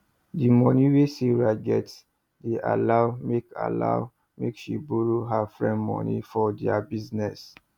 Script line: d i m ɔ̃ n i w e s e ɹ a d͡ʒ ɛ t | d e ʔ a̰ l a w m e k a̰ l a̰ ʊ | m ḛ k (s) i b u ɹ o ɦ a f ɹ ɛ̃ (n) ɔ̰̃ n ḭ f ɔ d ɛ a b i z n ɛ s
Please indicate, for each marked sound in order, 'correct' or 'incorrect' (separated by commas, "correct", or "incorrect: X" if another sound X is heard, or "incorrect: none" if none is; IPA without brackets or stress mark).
incorrect: ʃ, incorrect: m